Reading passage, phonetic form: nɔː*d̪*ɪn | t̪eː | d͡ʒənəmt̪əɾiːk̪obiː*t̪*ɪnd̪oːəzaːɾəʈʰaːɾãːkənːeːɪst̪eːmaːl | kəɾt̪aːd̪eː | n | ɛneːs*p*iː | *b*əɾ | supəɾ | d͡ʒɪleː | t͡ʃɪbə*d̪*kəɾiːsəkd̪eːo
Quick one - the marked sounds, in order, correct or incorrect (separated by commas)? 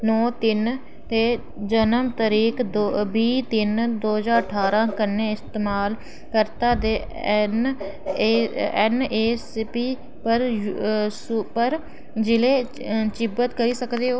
incorrect, correct, correct, incorrect, incorrect